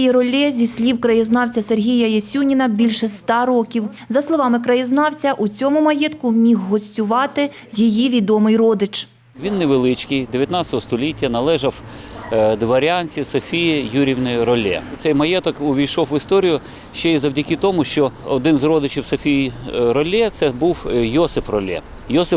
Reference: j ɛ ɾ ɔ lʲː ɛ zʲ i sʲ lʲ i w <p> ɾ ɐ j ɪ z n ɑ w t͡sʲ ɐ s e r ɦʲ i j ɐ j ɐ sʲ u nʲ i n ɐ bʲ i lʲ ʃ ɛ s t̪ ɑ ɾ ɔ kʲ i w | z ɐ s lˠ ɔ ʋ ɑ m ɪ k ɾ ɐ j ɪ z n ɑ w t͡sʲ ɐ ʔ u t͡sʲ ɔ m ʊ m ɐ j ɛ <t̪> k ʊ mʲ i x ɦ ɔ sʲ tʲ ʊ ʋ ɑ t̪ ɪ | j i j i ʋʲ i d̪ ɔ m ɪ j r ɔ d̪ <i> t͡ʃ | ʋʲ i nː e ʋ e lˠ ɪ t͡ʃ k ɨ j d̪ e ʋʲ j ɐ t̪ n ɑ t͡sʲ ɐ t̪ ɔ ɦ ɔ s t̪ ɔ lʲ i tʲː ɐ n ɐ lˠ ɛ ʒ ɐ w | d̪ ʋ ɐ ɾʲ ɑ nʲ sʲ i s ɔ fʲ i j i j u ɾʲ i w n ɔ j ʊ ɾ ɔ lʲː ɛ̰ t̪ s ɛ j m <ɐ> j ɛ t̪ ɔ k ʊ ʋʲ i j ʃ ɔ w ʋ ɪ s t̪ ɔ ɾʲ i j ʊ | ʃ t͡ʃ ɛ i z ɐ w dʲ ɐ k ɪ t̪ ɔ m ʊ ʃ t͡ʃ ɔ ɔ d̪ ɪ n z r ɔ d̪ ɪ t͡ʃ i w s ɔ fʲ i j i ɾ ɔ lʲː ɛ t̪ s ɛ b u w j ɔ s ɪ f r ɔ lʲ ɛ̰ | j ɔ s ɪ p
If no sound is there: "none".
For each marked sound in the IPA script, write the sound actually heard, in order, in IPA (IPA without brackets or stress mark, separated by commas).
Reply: k, t̪, ɪ, ɐ